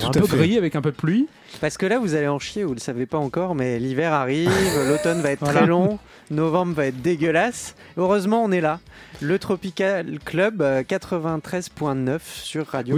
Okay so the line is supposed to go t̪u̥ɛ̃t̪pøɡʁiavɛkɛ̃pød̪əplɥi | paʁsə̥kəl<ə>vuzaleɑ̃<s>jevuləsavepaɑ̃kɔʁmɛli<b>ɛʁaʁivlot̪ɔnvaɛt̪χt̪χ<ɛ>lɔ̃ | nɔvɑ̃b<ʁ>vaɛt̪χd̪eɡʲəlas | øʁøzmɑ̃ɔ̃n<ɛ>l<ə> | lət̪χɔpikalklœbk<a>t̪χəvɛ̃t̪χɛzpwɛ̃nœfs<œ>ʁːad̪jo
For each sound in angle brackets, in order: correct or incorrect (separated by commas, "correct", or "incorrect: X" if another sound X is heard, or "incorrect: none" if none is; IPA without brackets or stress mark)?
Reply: incorrect: a, incorrect: ʃ, incorrect: v, correct, correct, correct, incorrect: a, correct, incorrect: y